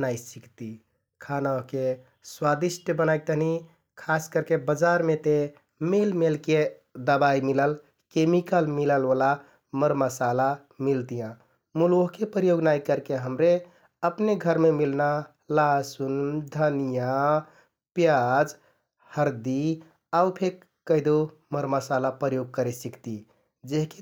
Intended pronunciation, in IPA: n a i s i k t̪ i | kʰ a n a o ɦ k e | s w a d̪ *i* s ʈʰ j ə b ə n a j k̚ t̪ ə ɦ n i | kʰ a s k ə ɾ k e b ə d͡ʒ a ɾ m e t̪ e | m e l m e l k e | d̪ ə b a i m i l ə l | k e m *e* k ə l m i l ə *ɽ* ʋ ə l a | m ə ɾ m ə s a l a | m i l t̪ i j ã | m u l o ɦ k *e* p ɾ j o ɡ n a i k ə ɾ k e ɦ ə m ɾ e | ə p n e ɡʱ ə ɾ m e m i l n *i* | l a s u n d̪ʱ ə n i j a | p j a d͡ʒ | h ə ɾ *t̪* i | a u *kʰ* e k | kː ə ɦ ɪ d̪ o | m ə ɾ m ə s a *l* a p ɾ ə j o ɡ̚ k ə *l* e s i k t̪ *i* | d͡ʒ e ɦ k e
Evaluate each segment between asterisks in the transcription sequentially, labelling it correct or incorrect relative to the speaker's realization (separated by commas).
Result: correct, incorrect, incorrect, correct, incorrect, incorrect, incorrect, correct, incorrect, correct